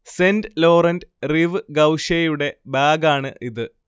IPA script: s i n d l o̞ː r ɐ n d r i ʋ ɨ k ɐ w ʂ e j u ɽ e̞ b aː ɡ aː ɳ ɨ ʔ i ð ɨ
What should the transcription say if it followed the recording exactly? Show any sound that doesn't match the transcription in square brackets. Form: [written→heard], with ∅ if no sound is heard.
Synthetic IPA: s [i→e] n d l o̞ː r ɐ n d r i ʋ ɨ [k→ɡ] ɐ w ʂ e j u ɽ e̞ b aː ɡ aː ɳ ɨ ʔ i ð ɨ

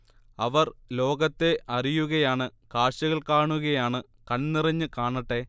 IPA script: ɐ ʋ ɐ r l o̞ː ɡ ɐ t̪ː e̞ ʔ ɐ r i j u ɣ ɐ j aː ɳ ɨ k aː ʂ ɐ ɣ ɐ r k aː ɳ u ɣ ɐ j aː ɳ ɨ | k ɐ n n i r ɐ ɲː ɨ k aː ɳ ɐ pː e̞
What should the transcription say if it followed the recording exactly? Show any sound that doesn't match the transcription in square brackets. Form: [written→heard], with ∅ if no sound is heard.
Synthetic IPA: ɐ ʋ ɐ r l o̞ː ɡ ɐ t̪ː e̞ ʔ ɐ r i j u ɣ ɐ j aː ɳ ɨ k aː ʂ ɐ ɣ ɐ [r→ɭ] k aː ɳ u ɣ ɐ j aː ɳ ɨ | k ɐ n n i r ɐ ɲː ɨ k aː ɳ ɐ [pː→ʈː] e̞

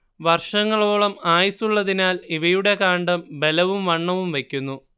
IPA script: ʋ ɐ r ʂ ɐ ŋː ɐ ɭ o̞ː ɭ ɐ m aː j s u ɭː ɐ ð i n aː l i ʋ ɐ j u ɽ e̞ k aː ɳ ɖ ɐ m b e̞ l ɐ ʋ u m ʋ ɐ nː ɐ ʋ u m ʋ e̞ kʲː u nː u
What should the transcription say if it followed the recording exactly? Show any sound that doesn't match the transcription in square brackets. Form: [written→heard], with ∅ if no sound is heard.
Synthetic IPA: ʋ ɐ r ʂ ɐ ŋː ɐ ɭ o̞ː ɭ ɐ m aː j s u ɭː ɐ ð i n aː l i ʋ ɐ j u ɽ e̞ k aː ɳ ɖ ɐ m b e̞ l ɐ ʋ u m ʋ ɐ [nː→ɳː] ɐ ʋ u m ʋ e̞ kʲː u nː u

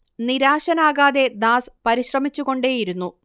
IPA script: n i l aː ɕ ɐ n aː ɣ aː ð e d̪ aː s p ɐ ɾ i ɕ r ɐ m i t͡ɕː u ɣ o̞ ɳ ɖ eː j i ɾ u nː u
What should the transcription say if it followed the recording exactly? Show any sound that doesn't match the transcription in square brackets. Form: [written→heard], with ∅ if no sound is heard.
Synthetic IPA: n i [l→ɾ] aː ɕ ɐ n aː ɣ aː ð e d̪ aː s p ɐ ɾ i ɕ r ɐ m i t͡ɕː u ɣ o̞ ɳ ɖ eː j i ɾ u nː u

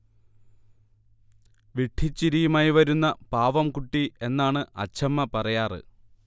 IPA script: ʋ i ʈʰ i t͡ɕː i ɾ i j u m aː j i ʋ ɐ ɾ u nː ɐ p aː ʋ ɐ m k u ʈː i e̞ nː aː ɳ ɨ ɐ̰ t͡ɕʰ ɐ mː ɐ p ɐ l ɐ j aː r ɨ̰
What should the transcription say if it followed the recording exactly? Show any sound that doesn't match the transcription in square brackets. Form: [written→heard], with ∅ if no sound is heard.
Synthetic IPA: ʋ i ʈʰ i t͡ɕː i ɾ i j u m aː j i ʋ ɐ ɾ u nː ɐ p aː ʋ ɐ m k u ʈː i e̞ nː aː ɳ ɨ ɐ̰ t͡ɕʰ ɐ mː ɐ p ɐ [l→r] ɐ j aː r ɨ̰

